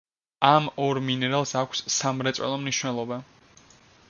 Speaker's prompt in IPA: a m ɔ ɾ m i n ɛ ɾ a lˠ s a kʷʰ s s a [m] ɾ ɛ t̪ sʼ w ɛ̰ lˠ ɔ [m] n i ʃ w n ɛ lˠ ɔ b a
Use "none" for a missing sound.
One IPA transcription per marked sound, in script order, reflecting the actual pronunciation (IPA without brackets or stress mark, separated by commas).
m, m